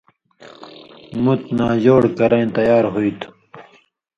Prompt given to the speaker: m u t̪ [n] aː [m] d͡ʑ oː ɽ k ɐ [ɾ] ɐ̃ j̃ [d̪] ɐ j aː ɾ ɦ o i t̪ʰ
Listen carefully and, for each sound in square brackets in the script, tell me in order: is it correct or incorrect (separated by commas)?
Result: correct, incorrect, correct, incorrect